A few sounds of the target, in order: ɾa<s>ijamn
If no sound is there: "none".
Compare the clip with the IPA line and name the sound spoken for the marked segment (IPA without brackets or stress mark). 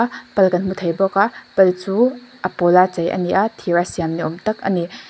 s